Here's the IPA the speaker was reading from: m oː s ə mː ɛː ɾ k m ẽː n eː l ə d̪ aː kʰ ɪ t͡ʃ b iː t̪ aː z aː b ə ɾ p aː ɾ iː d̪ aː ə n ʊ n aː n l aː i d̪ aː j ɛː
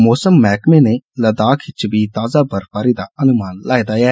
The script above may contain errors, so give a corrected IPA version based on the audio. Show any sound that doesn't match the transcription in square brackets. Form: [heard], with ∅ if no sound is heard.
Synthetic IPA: m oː s ə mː ɛː [∅] k m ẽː n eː l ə d̪ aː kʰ ɪ t͡ʃ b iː t̪ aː z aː b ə ɾ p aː ɾ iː d̪ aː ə n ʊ [m] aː n l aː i d̪ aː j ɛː

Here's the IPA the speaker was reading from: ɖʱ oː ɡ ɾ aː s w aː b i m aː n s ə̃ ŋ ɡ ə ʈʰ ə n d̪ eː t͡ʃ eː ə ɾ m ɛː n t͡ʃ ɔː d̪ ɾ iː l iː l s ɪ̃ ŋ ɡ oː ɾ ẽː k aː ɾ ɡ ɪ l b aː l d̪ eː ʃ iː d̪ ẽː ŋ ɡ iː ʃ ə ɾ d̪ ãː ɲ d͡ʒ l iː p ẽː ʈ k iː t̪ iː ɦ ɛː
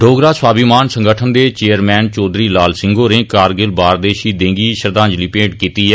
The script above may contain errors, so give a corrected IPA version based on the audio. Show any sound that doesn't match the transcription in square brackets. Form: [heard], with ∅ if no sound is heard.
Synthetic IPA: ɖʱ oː ɡ ɾ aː s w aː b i m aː n s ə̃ ŋ ɡ ə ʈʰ ə n d̪ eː t͡ʃ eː ə ɾ m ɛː n t͡ʃ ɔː d̪ ɾ iː l [aː] l s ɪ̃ ŋ ɡ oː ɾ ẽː k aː ɾ ɡ ɪ l b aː [ɾ] d̪ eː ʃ iː d̪ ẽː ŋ ɡ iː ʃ ə ɾ d̪ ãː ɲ d͡ʒ l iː p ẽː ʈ k iː t̪ iː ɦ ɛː

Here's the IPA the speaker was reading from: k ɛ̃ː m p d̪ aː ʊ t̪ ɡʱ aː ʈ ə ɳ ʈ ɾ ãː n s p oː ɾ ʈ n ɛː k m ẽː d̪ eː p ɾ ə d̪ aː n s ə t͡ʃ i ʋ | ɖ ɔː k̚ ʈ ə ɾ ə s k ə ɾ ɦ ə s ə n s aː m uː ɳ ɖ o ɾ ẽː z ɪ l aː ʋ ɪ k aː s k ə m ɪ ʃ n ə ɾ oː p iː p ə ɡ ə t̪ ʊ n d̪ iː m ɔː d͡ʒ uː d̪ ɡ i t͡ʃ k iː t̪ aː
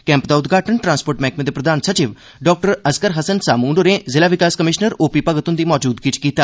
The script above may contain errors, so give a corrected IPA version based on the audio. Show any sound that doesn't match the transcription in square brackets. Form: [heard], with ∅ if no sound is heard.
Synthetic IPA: k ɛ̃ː m p d̪ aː ʊ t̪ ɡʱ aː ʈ ə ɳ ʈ ɾ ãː n s p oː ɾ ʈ [m] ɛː k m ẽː d̪ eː p ɾ ə d̪ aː n s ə t͡ʃ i ʋ | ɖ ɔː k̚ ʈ ə ɾ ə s k ə ɾ ɦ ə s ə n s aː m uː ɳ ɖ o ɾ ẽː z ɪ l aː ʋ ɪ k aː s k ə m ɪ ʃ n ə ɾ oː p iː p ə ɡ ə t̪ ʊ n d̪ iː m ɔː d͡ʒ uː d̪ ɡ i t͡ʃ k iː t̪ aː

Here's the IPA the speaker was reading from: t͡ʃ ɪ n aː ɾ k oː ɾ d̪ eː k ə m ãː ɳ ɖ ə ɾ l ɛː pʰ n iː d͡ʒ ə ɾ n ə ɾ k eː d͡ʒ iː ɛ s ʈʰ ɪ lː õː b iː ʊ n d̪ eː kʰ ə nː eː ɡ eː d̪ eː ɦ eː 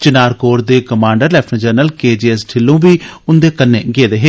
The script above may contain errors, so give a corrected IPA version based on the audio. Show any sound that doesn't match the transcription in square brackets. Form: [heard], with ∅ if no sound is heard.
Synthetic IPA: t͡ʃ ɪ n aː ɾ k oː ɾ d̪ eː k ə m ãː ɳ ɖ ə ɾ l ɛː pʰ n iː d͡ʒ ə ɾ n ə [l] k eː d͡ʒ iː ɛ s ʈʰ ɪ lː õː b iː ʊ n d̪ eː [k] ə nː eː ɡ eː d̪ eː ɦ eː

